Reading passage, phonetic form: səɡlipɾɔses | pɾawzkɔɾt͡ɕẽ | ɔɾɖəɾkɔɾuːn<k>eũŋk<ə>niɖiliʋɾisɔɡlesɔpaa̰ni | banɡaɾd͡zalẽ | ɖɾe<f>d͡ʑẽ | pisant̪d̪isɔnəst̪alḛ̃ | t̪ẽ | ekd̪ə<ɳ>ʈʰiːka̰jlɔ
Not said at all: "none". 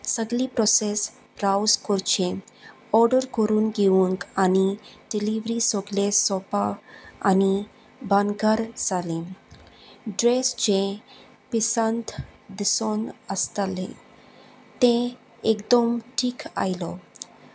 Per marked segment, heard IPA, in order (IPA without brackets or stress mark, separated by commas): ɡ, a, s, m